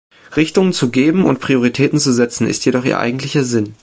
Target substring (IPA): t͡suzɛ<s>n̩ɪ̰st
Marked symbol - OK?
no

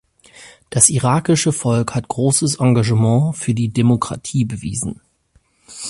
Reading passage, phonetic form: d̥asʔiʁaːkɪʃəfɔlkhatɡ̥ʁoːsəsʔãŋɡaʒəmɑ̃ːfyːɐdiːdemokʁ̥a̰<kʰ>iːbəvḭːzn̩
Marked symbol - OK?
no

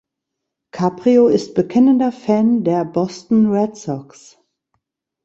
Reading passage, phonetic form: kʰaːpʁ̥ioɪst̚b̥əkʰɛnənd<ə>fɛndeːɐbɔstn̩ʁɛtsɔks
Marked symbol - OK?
no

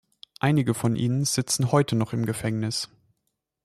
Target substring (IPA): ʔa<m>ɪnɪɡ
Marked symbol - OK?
no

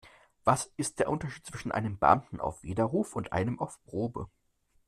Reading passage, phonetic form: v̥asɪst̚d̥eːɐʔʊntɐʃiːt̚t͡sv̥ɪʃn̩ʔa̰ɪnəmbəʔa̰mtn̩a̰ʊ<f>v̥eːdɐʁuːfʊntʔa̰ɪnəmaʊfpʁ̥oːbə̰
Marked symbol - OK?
yes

